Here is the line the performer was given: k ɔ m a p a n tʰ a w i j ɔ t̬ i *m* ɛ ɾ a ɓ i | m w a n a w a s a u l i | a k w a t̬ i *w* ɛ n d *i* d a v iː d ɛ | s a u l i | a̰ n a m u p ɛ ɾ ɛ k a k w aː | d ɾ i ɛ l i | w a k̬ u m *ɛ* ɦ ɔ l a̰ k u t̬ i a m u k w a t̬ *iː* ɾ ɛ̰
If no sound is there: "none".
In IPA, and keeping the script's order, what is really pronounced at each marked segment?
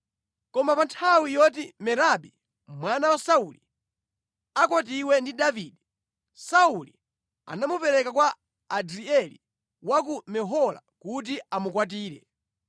m, w, i, ɛ, iː

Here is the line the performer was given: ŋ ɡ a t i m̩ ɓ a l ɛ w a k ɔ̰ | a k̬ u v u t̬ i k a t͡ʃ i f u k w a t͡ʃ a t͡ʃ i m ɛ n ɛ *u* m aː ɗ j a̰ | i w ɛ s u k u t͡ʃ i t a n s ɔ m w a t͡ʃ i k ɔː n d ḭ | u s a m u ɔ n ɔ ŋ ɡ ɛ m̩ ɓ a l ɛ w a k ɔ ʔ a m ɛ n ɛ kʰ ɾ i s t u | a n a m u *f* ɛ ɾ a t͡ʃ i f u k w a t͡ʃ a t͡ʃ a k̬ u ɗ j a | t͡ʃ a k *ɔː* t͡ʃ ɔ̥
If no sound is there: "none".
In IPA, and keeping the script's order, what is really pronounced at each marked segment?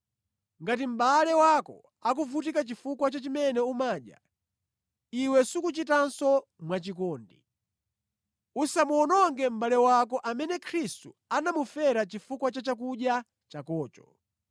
u, f, ɔː

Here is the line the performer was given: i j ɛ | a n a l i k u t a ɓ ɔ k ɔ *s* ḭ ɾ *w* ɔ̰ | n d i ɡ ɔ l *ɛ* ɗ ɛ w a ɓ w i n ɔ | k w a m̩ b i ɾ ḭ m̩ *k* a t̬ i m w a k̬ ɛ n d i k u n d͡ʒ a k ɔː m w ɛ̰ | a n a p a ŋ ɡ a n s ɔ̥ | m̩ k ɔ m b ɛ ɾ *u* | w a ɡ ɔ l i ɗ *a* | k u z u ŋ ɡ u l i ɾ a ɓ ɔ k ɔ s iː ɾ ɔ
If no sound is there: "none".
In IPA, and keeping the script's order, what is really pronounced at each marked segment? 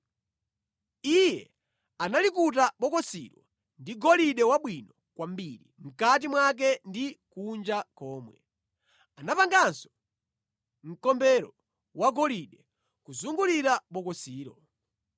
s, w, i, k, ɔ, ɛ

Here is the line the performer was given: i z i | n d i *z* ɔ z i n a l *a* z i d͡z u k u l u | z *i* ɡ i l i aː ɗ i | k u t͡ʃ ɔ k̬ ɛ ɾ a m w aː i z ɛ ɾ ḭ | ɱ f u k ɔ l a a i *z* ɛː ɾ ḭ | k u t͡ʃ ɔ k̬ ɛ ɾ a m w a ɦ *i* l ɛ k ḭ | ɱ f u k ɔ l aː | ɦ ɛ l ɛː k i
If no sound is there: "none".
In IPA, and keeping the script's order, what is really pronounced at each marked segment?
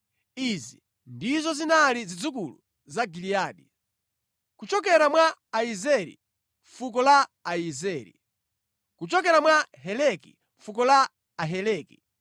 z, i, a, z, ɛ

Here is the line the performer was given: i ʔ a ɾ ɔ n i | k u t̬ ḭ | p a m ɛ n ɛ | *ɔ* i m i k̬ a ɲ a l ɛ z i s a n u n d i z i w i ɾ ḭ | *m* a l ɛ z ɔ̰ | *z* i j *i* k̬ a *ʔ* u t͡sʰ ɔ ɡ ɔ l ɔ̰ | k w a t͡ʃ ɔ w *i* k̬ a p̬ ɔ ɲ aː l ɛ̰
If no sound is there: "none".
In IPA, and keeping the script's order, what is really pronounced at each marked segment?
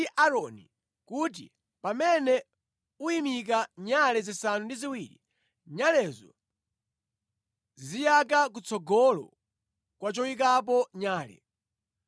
u, ɲ, z, a, k, i

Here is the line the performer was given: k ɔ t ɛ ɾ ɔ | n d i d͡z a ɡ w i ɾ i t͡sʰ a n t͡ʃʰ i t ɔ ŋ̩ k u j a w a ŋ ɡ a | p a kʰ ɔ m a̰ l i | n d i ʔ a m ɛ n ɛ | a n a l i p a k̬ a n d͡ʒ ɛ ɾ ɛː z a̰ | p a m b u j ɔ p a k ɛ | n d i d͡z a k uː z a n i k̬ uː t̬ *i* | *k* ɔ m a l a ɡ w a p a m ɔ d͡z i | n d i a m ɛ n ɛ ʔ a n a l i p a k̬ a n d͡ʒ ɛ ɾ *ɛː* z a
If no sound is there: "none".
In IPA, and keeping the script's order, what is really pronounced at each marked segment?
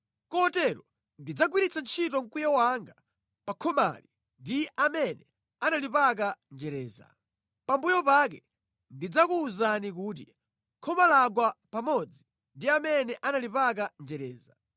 i, kʰ, ɛː

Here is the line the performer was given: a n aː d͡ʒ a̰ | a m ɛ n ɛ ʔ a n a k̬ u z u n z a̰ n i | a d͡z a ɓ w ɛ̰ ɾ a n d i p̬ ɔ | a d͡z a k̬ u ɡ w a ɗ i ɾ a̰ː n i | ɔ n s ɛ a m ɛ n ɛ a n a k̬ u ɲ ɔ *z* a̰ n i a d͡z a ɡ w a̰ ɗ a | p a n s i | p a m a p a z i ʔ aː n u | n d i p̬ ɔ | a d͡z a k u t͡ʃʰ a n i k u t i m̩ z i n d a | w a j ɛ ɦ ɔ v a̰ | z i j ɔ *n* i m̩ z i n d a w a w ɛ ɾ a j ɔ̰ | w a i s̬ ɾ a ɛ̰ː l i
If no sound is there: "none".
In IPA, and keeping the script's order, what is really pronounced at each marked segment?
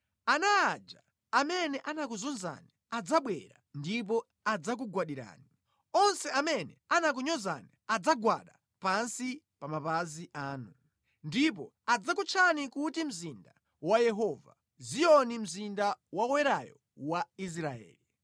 z, n

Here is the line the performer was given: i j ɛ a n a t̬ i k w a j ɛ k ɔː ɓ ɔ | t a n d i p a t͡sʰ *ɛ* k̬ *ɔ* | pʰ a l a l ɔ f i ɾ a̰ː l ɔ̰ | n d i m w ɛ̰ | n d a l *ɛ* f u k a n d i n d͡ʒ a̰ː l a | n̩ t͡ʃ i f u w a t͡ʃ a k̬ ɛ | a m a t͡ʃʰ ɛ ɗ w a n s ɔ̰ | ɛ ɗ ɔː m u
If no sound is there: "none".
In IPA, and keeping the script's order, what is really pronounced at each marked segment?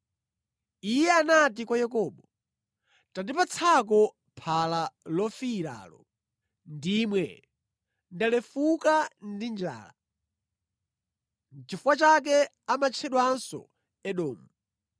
a, ɔ, ɛ

